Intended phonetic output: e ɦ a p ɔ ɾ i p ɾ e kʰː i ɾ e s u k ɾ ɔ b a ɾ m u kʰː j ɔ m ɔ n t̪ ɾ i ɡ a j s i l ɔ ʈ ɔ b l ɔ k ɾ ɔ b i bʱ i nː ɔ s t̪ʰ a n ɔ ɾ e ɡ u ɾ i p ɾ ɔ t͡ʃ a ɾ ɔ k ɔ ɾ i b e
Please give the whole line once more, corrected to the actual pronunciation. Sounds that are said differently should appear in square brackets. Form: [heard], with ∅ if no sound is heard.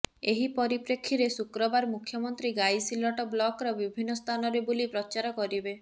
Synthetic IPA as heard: e ɦ [i] p ɔ ɾ i p ɾ e kʰː i ɾ e s u k ɾ ɔ b a ɾ m u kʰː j ɔ m ɔ n t̪ ɾ i ɡ a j s i l ɔ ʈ ɔ b l ɔ k ɾ ɔ b i bʱ i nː ɔ s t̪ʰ a n ɔ ɾ e [b] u [l] i p ɾ ɔ t͡ʃ a ɾ ɔ k ɔ ɾ i b e

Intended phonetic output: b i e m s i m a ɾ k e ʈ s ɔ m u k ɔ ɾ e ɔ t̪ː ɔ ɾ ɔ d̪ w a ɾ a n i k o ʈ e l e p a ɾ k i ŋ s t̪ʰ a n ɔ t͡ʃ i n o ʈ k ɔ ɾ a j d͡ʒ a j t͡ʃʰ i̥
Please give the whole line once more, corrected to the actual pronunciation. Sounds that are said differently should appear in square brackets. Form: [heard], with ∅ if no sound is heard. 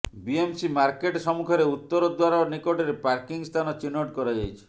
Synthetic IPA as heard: b i e m s i m a ɾ k e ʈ s ɔ m u [kʰ] ɔ ɾ e [u] t̪ː ɔ ɾ ɔ d̪ w a ɾ a n i k o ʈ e [ɾ] e p a ɾ k i ŋ s t̪ʰ a n ɔ t͡ʃ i n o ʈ k ɔ ɾ a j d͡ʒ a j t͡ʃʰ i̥

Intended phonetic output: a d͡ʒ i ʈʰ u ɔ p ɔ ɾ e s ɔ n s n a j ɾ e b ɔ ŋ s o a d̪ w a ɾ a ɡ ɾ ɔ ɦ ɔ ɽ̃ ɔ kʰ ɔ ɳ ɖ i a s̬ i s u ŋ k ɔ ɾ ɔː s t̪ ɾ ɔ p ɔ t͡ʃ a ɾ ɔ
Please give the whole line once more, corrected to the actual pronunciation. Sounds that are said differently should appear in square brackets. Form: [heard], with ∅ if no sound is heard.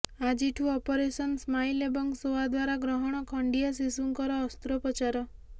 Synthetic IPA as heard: a d͡ʒ i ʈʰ u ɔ p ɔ ɾ e s ɔ n s [m] a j [l] e b ɔ ŋ s o a d̪ w a ɾ a ɡ ɾ ɔ ɦ ɔ ɽ̃ ɔ kʰ ɔ ɳ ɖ i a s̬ i s u ŋ k ɔ ɾ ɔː s t̪ ɾ ɔ p ɔ t͡ʃ a ɾ ɔ

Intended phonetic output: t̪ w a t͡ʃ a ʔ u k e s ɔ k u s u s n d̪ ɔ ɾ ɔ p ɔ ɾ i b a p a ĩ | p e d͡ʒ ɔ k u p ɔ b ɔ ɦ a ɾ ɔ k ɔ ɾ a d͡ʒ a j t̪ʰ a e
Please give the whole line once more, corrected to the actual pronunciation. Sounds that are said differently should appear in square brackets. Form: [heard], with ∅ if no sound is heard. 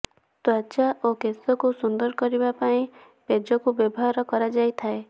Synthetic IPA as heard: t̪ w a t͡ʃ a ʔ [o] k e s ɔ k u s u [∅] n d̪ ɔ ɾ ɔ [k] ɔ ɾ i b a p a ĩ | p e d͡ʒ ɔ k u [b] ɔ b ɔ ɦ a ɾ ɔ k ɔ ɾ a d͡ʒ a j t̪ʰ a e

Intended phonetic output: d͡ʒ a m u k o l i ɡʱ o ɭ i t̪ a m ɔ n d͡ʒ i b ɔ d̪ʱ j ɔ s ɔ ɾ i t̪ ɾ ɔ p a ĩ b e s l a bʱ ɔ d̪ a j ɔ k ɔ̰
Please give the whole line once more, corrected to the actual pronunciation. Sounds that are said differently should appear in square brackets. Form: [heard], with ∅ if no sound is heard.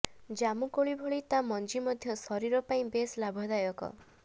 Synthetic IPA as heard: d͡ʒ a m u k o [ɭ] i [bʱ] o ɭ i t̪ a m ɔ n d͡ʒ i [m] ɔ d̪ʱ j ɔ s ɔ ɾ i [∅] ɾ ɔ p a ĩ b e s l a bʱ ɔ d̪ a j ɔ k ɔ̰

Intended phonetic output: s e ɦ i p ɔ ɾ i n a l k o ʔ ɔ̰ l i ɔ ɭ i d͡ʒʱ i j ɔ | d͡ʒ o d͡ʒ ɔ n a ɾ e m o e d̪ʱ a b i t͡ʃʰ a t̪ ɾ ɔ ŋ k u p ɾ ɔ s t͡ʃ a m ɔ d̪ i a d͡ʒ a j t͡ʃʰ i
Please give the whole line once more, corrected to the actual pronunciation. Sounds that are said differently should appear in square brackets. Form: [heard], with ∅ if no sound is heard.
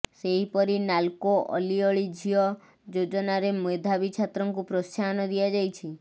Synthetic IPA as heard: s e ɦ i p ɔ ɾ i n a l k o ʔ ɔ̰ l i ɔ ɭ i d͡ʒʱ i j ɔ | d͡ʒ o d͡ʒ ɔ n a ɾ e m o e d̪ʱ a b i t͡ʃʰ a t̪ ɾ ɔ ŋ k u p ɾ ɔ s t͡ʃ a [n] ɔ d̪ i a d͡ʒ a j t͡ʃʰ i

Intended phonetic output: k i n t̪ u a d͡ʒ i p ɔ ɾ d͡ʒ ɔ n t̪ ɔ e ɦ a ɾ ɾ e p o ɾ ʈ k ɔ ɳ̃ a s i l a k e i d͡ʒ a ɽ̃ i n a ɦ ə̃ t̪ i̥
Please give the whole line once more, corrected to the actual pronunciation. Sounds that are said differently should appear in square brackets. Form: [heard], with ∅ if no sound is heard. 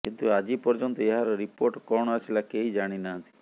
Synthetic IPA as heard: k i n t̪ u a d͡ʒ i p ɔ ɾ d͡ʒ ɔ n t̪ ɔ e ɦ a ɾ ɾ [i] p o ɾ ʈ k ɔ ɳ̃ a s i l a k e i d͡ʒ a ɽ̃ i n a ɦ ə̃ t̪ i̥

